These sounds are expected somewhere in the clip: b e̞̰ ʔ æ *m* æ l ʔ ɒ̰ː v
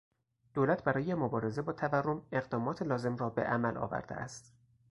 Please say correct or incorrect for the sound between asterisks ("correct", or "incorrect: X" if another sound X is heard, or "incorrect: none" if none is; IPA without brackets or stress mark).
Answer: correct